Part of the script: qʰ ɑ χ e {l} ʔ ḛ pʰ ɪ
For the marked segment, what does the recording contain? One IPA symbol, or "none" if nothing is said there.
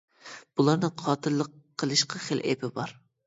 l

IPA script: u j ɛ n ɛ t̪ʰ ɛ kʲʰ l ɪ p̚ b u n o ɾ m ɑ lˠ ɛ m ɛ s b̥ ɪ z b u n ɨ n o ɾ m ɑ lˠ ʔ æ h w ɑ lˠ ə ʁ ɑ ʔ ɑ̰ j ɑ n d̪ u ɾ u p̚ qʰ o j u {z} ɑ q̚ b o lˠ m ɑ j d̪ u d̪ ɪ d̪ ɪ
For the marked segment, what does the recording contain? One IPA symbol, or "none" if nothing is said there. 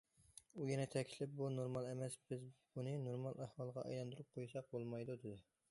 s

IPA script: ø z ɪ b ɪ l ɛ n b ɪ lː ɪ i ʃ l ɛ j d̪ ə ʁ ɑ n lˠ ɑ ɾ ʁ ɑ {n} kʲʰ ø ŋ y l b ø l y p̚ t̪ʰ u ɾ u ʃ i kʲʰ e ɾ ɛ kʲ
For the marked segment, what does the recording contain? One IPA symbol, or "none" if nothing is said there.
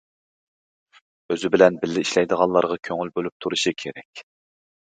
none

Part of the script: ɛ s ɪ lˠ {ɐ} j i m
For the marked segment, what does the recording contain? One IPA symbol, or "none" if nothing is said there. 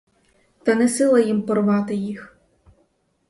ɐ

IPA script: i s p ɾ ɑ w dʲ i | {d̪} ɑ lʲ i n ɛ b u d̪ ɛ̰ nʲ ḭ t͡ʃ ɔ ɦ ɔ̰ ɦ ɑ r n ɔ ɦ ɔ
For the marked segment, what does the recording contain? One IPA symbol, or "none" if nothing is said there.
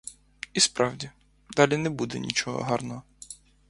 d̪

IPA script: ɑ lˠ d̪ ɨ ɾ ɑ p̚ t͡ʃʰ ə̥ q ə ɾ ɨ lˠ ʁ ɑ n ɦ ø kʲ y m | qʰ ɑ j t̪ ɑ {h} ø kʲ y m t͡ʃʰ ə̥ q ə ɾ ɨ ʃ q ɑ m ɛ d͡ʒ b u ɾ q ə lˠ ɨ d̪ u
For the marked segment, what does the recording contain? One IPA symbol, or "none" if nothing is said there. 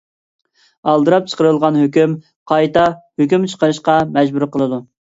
h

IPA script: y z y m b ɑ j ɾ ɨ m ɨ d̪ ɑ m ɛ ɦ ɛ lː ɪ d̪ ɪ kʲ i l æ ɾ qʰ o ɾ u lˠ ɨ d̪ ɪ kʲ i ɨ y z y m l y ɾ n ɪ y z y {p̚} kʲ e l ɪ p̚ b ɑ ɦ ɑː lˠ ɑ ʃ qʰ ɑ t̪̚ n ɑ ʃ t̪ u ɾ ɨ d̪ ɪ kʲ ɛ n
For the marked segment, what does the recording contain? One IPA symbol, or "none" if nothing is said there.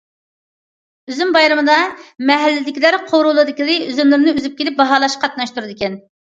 p̚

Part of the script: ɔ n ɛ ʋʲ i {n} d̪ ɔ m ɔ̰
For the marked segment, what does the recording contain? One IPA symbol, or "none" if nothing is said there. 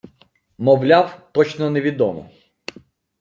none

